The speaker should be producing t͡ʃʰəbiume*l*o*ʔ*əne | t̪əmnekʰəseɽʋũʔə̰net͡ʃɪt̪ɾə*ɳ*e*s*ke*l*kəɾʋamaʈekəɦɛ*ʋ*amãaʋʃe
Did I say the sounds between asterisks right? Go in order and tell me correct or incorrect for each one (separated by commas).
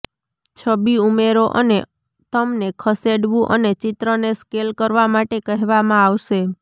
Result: incorrect, correct, incorrect, correct, correct, correct